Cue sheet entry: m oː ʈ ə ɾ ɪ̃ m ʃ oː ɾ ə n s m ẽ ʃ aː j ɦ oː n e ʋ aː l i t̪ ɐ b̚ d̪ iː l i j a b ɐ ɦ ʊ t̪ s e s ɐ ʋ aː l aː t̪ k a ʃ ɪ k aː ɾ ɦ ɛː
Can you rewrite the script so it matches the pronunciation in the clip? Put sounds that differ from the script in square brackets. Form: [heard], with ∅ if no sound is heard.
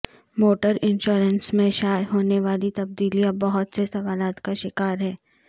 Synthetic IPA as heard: m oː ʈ ə ɾ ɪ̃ [n] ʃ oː ɾ ə n s m ẽ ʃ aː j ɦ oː n e ʋ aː l i t̪ ɐ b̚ d̪ iː l i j a b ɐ ɦ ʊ t̪ s e s ɐ ʋ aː l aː t̪ k a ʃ ɪ k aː ɾ ɦ ɛː